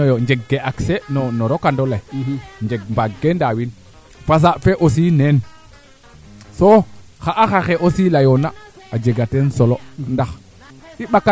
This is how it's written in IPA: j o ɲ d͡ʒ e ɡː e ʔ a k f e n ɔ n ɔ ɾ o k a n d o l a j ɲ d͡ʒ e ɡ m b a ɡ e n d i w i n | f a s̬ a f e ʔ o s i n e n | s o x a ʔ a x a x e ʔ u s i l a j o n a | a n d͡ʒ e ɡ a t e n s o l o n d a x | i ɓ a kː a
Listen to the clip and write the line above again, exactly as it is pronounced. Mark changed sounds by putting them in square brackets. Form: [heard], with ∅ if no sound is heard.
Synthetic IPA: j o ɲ d͡ʒ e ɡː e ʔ a k [s] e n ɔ n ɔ ɾ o k a n d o l a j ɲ d͡ʒ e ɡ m b a ɡ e n d [a] w i n | f a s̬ a f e ʔ o s i n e n | s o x a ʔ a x a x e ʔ [o] s i l a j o n a | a [∅] d͡ʒ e ɡ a t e n s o l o n d a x | i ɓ a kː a